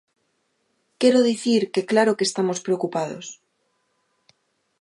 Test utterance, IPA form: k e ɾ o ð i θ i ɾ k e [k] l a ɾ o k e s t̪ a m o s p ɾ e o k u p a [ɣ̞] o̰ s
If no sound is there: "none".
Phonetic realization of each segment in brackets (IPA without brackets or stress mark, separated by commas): k, ð̞